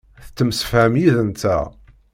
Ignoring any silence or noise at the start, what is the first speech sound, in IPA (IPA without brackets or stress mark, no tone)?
θ